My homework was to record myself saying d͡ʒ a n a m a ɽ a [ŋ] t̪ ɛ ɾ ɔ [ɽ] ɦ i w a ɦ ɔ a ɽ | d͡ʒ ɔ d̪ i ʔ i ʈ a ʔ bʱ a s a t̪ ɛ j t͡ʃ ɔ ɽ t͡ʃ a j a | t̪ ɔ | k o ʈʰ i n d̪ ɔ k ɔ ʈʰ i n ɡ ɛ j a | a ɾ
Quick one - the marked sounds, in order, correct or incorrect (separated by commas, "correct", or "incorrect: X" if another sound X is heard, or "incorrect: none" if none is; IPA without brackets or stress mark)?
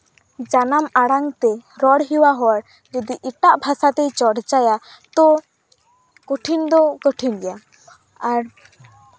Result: correct, correct